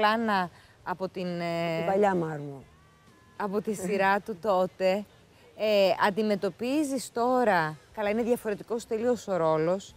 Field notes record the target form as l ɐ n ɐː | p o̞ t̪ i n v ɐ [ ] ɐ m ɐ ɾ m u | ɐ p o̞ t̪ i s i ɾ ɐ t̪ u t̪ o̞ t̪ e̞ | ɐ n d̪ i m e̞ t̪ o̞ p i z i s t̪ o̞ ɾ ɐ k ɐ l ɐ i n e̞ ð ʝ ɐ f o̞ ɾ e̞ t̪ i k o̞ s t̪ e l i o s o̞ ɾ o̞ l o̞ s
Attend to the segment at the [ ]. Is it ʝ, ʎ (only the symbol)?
ʎ